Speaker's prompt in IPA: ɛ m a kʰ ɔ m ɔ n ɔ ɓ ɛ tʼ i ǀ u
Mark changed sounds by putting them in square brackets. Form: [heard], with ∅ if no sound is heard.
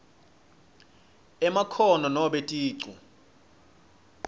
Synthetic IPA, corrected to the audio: ɛ m a kʰ ɔ [n] ɔ n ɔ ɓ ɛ tʼ [iː] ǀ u